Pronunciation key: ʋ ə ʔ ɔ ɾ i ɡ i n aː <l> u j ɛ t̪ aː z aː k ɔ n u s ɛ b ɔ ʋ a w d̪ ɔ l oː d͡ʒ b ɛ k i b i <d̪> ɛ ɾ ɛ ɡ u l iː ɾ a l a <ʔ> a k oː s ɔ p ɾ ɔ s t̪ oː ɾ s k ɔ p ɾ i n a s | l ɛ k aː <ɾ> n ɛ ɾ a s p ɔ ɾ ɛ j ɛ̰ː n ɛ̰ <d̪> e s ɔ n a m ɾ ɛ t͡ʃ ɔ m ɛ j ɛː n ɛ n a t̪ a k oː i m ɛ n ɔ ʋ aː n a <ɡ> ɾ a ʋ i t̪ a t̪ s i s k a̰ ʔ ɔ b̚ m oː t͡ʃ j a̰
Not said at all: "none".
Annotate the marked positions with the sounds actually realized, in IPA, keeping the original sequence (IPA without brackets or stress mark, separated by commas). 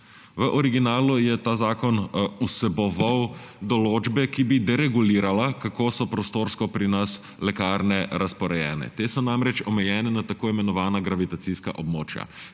l, d̪, k, ɾ, t̪, ɡ